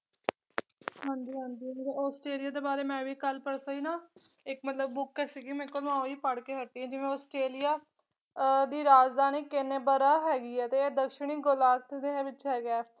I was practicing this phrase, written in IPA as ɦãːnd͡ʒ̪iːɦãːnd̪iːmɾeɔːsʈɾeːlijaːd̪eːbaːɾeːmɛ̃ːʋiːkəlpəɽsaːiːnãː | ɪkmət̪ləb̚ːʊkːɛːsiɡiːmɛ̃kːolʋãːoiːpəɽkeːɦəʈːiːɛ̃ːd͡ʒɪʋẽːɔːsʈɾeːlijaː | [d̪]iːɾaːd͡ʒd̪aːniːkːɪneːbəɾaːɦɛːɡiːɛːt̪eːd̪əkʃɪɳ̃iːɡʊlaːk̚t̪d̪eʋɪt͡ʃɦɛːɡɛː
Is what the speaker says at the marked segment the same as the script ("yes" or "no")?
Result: yes